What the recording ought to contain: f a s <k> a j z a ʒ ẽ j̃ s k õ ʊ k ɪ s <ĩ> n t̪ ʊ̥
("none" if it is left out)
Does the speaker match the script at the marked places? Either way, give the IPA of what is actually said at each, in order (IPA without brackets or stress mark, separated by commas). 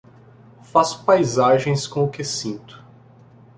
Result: p, ĩ